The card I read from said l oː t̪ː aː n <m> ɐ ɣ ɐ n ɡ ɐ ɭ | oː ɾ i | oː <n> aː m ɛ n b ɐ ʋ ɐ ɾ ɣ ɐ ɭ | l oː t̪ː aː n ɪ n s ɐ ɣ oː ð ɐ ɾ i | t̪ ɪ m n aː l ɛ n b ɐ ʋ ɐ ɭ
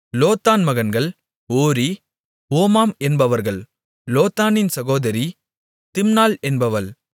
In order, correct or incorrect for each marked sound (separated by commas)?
correct, incorrect